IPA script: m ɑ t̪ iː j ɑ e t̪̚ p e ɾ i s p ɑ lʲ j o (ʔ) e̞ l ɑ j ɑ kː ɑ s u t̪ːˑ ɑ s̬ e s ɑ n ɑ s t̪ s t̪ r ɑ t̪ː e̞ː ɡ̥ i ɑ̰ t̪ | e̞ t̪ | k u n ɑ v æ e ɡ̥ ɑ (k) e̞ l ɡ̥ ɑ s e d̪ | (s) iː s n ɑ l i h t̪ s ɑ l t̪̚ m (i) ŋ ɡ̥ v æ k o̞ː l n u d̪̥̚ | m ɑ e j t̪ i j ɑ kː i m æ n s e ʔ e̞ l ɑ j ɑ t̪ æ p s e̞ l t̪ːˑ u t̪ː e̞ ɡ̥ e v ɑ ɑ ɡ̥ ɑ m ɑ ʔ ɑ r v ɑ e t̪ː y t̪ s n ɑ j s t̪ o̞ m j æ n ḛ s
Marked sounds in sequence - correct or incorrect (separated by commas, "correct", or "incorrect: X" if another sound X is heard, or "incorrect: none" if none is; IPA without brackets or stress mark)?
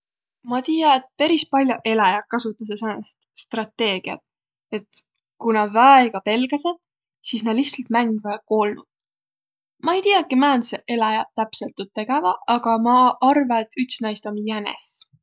correct, incorrect: p, correct, incorrect: æ